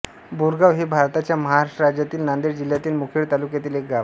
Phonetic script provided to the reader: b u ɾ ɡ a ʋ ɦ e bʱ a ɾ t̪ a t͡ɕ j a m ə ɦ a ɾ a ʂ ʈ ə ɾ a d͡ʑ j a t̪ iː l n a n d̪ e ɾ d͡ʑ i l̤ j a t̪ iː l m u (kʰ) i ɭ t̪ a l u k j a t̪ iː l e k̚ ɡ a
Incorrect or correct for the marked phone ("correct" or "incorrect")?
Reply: correct